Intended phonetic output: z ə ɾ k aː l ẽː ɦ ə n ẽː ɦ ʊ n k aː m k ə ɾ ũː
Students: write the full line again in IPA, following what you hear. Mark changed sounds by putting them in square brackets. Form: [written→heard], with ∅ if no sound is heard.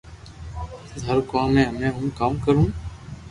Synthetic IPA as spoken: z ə ɾ k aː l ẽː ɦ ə [n→m] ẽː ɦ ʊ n k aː m k ə ɾ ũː